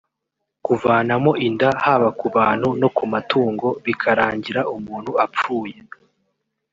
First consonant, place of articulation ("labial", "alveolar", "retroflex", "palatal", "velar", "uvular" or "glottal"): velar